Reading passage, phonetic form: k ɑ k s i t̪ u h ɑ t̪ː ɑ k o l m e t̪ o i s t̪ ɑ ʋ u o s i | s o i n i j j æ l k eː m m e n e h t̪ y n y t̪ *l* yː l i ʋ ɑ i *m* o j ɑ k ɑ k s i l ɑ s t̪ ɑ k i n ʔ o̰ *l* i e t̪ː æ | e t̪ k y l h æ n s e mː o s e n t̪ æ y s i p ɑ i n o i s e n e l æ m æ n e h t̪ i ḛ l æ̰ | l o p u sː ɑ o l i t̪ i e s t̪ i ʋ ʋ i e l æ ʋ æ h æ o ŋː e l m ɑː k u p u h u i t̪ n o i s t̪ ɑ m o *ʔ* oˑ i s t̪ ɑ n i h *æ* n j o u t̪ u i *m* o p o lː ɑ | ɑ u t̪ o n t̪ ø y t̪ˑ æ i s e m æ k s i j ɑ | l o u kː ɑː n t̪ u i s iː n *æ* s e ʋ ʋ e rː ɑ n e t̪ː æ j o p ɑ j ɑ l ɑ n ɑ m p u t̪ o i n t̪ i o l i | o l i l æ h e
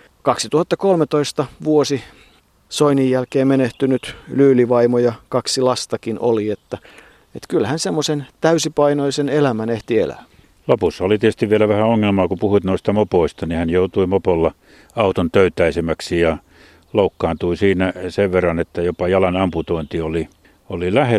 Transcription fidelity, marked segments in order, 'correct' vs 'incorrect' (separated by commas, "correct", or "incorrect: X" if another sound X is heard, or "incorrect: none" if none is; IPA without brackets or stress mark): correct, correct, correct, incorrect: p, correct, correct, correct